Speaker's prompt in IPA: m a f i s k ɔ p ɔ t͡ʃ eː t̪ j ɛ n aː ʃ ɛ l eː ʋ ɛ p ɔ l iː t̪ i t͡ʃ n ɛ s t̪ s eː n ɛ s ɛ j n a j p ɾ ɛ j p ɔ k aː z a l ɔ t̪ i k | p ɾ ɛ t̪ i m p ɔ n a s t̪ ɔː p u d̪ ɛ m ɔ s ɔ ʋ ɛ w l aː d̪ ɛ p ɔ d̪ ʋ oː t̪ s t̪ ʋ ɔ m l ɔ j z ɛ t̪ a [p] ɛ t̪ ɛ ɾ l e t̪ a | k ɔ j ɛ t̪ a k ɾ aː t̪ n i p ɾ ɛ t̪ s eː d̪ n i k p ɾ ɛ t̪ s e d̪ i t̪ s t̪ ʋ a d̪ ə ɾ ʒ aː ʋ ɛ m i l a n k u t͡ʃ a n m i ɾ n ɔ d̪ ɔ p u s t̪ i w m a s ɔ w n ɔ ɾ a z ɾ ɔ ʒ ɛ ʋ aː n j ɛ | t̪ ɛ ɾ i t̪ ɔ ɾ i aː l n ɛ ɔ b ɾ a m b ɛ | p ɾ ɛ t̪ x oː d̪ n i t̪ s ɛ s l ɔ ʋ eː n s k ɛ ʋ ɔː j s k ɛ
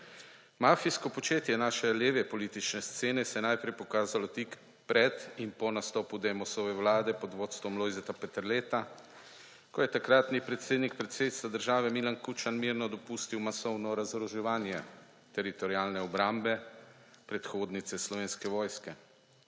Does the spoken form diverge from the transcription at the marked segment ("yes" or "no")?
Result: no